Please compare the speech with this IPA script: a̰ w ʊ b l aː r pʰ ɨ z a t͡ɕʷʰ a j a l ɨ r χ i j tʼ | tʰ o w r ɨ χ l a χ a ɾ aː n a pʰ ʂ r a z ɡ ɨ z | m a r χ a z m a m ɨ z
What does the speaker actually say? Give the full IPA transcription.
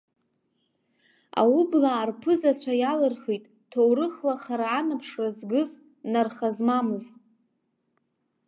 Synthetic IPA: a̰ w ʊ b l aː r pʰ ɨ z a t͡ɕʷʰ a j a l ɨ r χ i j tʼ | tʰ o w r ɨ χ l a χ a ɾ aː n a pʰ ʂ r a z ɡ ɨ z | n a r χ a z m a m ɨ z